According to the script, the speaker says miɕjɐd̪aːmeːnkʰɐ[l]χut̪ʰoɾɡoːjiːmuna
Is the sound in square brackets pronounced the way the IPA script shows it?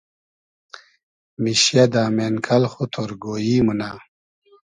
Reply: yes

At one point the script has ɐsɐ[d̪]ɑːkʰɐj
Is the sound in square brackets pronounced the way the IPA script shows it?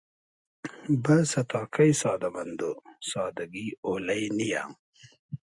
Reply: no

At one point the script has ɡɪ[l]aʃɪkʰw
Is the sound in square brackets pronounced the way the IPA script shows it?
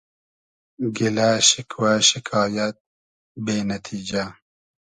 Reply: yes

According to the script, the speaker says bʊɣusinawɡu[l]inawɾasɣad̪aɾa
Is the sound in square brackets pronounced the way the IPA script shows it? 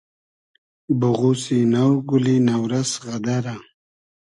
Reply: yes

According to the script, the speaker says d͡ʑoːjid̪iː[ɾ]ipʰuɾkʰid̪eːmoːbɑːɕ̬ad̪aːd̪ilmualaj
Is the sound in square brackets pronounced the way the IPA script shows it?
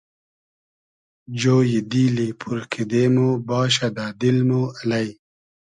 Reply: no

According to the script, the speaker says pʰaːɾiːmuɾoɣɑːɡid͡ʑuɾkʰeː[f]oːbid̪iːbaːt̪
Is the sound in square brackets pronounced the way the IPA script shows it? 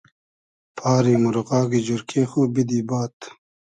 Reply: no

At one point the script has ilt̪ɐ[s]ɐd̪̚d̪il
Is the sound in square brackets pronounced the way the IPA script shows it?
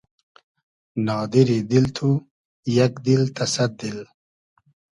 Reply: yes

